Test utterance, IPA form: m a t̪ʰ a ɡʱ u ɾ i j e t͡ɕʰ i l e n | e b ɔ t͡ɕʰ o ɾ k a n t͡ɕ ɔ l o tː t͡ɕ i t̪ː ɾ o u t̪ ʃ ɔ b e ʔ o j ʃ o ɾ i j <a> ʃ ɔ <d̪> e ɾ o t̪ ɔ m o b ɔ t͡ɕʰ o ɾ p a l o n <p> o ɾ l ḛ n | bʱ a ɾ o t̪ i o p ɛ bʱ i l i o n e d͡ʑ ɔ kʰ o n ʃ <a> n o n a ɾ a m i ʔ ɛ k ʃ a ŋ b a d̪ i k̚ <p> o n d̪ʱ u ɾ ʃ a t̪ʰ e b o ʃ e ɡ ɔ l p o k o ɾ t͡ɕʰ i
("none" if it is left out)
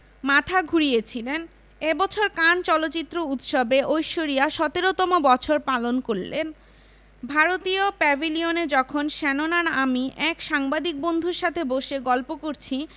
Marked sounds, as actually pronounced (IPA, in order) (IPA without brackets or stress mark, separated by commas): a, t̪, k, ɛ, b